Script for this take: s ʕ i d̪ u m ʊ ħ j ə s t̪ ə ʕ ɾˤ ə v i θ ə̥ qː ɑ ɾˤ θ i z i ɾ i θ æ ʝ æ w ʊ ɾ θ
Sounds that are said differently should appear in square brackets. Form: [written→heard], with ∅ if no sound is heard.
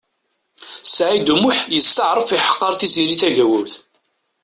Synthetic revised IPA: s ʕ i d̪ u m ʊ ħ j ə s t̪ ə ʕ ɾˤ ə [v→f] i [θ→ħ] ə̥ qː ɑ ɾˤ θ i z i ɾ i θ æ ʝ æ w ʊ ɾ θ